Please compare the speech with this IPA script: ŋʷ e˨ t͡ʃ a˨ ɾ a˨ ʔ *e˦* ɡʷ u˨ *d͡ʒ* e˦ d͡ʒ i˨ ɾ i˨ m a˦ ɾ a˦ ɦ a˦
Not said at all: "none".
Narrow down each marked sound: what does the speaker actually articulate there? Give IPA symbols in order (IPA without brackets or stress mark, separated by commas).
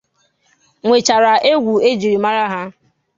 e˦, none